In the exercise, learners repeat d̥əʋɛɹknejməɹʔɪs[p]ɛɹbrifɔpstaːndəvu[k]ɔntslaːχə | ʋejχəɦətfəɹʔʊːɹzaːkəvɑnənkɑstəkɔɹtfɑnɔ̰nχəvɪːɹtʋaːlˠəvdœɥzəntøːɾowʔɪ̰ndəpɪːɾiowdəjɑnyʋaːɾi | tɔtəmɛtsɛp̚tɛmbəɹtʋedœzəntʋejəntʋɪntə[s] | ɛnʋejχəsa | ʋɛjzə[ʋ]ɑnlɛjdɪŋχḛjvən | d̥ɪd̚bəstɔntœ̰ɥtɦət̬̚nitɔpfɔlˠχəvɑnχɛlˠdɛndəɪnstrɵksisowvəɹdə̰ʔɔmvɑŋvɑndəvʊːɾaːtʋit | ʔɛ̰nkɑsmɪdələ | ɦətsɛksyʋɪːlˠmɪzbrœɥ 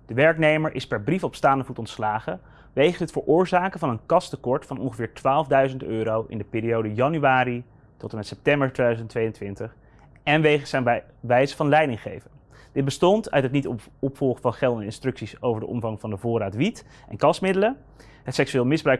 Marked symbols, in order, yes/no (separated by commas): yes, no, no, no